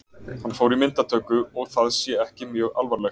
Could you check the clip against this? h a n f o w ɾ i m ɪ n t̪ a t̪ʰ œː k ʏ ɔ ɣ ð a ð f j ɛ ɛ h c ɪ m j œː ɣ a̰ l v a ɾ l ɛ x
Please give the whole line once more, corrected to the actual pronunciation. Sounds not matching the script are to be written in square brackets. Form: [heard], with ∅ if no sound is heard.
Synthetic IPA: h a n f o w ɾ i m ɪ n t̪ a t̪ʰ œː k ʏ ɔ ɣ [θ] a ð [s] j ɛ ɛ h c ɪ m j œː ɣ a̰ l v a ɾ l ɛ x

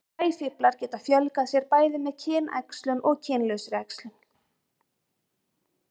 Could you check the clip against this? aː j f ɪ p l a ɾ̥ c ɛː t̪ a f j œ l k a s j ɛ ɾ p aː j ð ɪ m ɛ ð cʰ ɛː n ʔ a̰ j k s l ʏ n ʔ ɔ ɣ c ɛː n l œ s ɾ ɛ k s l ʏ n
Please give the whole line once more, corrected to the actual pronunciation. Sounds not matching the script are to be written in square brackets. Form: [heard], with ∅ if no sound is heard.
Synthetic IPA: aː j f ɪ p l a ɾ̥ c ɛː t̪ a f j œ l k a s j ɛ ɾ p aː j ð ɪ m ɛ ð cʰ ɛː n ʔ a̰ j k s l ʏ n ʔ ɔ ɣ [cʰ] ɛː n l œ s ɾ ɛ k s l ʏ n

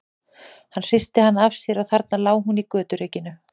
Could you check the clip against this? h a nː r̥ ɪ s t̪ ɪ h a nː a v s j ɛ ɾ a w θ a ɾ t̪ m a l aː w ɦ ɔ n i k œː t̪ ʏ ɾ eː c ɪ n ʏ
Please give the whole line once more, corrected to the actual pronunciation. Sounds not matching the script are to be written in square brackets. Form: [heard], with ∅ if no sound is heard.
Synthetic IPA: h a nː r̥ ɪ s t̪ ɪ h a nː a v s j ɛ ɾ a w θ a ɾ t̪ [n] a l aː w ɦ [u] n i k œː t̪ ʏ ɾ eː c ɪ n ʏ

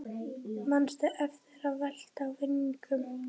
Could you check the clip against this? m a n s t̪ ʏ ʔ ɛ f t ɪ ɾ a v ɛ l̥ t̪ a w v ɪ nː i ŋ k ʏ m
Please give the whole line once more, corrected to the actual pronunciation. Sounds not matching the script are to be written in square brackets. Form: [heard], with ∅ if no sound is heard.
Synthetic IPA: m a n s t̪ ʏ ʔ ɛ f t ɪ ɾ a v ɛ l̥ t̪ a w v ɪ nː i ŋ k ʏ m

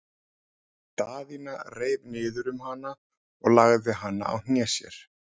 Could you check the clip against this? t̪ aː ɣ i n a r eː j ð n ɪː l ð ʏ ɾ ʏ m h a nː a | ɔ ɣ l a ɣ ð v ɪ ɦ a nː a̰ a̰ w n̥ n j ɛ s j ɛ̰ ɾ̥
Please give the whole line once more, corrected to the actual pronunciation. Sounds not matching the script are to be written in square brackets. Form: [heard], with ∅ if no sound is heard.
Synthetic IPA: t̪ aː [ð] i n a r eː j [v] n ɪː [∅] ð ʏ ɾ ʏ m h a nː a | ɔ ɣ l a ɣ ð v ɪ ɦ a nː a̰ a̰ w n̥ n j ɛ s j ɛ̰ ɾ̥

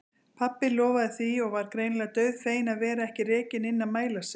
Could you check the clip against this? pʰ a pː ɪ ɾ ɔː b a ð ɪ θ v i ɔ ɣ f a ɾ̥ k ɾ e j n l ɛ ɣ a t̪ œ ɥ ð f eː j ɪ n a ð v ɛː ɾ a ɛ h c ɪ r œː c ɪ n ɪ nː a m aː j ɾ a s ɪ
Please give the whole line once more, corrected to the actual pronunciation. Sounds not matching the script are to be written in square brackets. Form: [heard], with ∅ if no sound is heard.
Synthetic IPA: pʰ a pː ɪ [l] ɔː [v] a ð ɪ θ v i ɔ ɣ [v] a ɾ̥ k ɾ e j n l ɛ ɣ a t̪ œ ɥ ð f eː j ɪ n a ð v ɛː ɾ a ɛ h c ɪ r [ɛː] c ɪ n ɪ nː a m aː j [l] a s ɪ

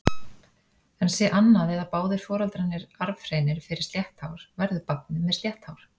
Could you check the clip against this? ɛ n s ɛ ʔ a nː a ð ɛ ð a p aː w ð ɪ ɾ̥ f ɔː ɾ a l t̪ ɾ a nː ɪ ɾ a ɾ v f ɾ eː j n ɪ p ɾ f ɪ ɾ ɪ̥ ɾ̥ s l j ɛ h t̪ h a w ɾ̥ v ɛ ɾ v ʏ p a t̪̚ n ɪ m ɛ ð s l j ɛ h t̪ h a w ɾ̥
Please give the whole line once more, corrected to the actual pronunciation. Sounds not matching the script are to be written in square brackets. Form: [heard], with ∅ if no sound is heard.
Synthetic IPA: ɛ n s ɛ ʔ a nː a ð ɛ ð a p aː w ð ɪ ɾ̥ f ɔː ɾ a l t̪ ɾ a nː ɪ ɾ a ɾ v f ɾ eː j n ɪ [∅] ɾ f ɪ ɾ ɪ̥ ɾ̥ s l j ɛ h t̪ h a w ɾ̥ v ɛ ɾ [ð] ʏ p a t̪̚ n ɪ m ɛ ð s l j ɛ h t̪ h a w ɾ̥

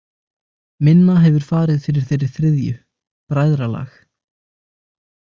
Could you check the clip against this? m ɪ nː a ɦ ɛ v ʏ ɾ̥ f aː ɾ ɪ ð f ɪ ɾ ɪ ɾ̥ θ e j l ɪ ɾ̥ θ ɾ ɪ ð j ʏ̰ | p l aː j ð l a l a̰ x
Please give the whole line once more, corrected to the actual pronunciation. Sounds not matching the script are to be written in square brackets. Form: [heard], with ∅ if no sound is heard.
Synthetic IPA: m ɪ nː a ɦ ɛ v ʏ ɾ̥ f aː ɾ ɪ ð f ɪ ɾ ɪ ɾ̥ θ e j [ɾ] ɪ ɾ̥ θ ɾ ɪ ð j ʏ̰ | p [ɾ] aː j ð [ɾ] a l a̰ x

